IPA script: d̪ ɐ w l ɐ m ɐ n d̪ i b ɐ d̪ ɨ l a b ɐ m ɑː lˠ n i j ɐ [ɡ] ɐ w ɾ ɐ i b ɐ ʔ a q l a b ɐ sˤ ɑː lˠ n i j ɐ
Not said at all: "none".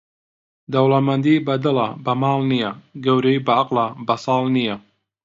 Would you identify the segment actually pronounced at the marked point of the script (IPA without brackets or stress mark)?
ɡ